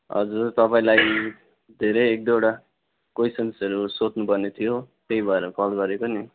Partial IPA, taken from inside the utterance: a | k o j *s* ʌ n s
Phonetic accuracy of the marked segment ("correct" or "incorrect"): correct